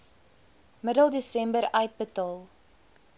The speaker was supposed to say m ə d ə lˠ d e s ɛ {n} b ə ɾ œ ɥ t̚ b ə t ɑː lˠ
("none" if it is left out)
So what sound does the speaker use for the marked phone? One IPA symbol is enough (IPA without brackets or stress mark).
m